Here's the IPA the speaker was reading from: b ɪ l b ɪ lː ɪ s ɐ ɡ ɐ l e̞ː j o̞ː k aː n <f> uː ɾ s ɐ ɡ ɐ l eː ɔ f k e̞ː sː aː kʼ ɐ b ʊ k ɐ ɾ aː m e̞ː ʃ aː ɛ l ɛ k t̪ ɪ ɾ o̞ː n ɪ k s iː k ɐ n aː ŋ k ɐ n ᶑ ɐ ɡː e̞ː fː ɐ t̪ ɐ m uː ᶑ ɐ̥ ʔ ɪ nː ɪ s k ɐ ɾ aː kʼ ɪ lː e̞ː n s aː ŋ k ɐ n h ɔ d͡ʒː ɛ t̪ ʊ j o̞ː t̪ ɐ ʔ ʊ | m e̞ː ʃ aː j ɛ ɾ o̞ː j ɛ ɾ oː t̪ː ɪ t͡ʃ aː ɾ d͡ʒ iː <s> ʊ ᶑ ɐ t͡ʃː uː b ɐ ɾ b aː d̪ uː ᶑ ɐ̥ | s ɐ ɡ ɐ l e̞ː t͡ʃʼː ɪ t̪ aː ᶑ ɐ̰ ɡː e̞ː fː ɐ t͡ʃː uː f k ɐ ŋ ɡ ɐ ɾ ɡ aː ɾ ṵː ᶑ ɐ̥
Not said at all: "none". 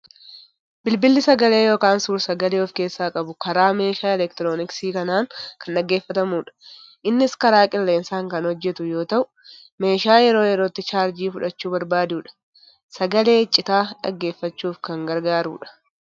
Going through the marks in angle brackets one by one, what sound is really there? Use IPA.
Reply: s, f

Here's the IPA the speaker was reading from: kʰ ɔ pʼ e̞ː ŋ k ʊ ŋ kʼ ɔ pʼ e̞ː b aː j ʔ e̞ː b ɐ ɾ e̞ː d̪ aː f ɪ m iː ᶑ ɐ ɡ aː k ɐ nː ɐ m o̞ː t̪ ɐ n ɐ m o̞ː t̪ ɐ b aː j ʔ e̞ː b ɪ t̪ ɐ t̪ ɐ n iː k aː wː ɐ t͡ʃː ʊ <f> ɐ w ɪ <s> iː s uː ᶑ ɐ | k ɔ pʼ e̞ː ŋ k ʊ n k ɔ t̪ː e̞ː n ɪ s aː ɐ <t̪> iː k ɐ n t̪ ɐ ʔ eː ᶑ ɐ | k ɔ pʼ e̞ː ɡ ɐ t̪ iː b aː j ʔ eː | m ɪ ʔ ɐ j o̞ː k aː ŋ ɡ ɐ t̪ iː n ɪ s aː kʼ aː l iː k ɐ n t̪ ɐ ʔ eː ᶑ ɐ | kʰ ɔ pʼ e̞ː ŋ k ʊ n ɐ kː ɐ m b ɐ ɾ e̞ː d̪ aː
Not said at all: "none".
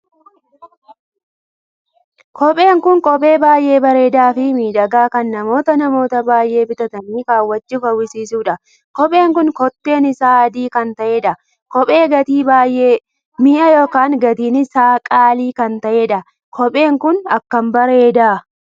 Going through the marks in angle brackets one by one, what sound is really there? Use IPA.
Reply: f, s, d̪

